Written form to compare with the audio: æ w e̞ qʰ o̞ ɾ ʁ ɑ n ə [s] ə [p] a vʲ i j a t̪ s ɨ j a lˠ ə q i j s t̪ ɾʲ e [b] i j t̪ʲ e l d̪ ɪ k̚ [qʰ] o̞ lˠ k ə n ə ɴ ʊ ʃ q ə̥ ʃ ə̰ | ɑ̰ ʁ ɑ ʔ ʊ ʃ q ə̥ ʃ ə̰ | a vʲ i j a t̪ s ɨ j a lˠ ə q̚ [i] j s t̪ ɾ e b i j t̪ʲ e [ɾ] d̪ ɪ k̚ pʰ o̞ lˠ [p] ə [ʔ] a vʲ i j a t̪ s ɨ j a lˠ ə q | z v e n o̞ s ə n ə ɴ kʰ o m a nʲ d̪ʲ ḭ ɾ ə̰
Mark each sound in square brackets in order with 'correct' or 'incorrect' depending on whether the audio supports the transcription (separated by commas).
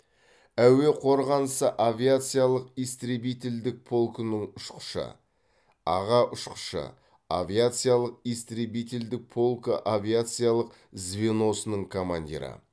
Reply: correct, incorrect, correct, incorrect, correct, incorrect, incorrect, correct